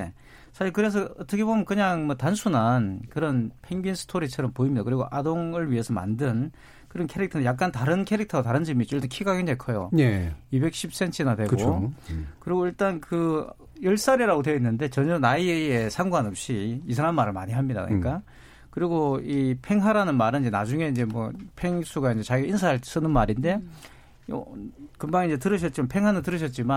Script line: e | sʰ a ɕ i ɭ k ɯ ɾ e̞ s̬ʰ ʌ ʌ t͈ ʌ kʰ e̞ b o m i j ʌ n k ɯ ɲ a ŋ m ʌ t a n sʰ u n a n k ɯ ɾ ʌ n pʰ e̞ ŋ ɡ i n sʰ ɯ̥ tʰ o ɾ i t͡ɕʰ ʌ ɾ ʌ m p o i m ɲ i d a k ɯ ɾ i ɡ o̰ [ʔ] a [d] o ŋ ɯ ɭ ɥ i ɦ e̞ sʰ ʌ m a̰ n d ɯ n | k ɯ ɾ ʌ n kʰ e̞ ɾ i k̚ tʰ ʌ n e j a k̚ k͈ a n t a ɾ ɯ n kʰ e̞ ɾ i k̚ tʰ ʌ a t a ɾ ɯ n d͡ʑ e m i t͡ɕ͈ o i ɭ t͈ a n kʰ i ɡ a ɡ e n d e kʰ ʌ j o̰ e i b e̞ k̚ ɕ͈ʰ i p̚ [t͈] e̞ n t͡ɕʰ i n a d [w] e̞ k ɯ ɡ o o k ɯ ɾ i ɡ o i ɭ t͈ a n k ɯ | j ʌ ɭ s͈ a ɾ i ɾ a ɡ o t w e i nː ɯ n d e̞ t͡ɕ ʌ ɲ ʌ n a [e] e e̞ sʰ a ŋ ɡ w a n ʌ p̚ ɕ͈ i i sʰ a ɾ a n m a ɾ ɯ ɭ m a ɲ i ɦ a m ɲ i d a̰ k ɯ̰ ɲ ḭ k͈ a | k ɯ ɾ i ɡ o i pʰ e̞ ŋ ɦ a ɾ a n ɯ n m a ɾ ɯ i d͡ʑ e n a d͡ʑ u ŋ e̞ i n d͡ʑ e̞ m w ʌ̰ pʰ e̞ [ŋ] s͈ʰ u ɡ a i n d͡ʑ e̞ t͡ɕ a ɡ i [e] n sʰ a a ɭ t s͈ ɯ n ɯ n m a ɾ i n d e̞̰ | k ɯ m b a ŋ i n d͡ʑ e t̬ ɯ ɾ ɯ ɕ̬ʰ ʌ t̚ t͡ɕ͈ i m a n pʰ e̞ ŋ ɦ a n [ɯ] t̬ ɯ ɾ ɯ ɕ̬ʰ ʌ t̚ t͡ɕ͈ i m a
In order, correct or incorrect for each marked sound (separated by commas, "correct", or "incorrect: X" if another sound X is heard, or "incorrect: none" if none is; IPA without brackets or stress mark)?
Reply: correct, correct, incorrect: s͈, correct, incorrect: i, correct, incorrect: i, correct